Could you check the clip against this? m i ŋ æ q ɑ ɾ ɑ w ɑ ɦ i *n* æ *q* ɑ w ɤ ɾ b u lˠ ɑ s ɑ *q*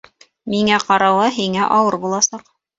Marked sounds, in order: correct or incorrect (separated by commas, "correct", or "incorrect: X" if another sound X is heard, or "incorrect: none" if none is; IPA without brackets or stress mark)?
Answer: incorrect: ŋ, incorrect: ʔ, correct